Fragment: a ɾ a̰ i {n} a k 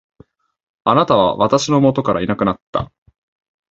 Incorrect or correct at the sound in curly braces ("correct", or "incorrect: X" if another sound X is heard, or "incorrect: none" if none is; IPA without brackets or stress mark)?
correct